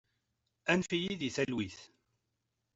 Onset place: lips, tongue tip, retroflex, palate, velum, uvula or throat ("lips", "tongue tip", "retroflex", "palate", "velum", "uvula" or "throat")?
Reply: tongue tip